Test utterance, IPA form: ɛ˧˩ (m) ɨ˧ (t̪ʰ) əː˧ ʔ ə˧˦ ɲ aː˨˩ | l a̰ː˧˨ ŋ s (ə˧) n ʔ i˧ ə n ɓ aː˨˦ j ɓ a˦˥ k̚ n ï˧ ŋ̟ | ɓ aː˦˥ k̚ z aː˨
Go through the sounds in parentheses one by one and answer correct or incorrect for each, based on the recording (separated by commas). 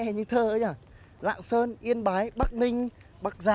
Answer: incorrect, correct, incorrect